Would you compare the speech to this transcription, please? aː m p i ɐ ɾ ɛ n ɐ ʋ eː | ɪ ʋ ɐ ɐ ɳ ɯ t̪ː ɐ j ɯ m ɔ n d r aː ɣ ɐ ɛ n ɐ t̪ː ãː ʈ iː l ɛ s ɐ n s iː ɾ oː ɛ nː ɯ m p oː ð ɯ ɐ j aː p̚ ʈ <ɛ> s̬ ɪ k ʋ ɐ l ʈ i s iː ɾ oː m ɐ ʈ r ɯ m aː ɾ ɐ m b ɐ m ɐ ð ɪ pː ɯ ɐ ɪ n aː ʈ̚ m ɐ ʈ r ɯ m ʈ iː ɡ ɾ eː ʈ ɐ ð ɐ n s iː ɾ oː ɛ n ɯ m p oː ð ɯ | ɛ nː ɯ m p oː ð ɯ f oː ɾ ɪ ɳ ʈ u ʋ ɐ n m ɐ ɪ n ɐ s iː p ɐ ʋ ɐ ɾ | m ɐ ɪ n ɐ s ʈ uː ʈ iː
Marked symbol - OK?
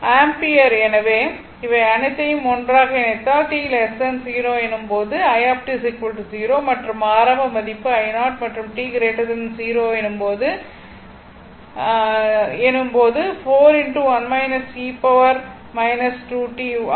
no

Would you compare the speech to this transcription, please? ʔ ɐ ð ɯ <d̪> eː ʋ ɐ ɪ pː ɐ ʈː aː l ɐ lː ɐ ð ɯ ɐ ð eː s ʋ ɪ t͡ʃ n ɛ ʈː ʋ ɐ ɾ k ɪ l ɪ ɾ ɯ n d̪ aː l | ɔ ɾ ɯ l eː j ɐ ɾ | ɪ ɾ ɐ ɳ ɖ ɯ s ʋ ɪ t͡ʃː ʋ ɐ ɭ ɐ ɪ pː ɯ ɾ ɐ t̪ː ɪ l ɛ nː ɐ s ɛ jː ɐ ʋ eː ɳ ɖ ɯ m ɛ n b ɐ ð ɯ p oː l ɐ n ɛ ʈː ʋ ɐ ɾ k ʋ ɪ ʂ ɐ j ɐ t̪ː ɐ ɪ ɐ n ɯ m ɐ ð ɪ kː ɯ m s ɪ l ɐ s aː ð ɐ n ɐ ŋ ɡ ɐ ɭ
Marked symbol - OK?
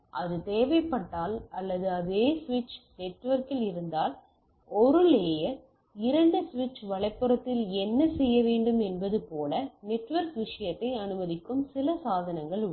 no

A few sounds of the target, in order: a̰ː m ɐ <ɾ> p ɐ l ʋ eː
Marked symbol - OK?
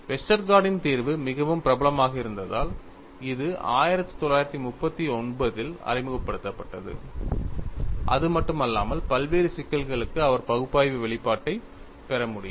no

